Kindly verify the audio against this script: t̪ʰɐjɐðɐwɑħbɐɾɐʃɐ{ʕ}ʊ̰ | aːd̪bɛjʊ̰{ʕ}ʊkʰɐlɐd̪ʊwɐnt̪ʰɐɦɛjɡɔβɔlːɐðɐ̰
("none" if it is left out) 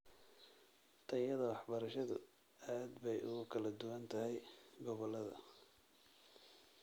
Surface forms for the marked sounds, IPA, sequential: ð, ɣ

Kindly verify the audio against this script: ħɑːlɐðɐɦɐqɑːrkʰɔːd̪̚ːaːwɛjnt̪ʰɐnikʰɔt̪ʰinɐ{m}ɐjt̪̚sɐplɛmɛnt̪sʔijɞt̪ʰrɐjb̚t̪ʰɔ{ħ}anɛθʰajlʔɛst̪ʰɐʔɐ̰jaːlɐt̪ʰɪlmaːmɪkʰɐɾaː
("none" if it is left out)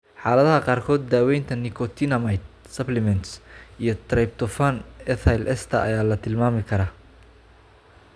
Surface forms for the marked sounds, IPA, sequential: m, f

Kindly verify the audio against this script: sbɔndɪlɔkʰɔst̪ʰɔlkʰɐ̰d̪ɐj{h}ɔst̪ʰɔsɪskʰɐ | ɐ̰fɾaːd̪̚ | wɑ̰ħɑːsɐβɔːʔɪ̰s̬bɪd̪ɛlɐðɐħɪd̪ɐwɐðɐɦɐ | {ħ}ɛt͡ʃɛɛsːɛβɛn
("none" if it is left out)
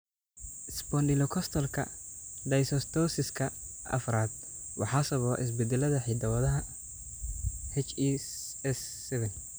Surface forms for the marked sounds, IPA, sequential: s, h

